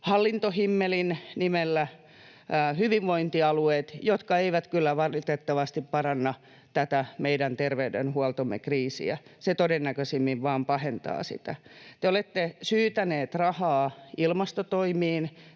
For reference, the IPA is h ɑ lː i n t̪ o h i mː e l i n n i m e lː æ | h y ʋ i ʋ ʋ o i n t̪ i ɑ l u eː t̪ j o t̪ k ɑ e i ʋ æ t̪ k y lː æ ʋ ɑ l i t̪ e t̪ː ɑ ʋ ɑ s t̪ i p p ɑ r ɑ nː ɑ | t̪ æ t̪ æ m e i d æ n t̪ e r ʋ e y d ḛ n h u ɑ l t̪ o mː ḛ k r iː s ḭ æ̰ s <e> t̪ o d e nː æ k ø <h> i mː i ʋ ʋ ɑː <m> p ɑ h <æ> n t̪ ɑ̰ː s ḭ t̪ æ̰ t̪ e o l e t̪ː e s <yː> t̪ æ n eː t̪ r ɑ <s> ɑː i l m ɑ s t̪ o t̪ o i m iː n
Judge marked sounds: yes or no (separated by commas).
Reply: yes, no, yes, no, yes, no